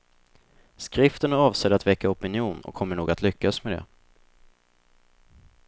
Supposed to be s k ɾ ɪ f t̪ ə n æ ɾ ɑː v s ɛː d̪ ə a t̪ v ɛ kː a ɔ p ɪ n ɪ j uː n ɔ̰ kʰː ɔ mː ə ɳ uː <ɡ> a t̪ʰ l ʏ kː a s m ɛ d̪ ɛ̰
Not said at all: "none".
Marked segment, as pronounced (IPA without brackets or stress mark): ɡ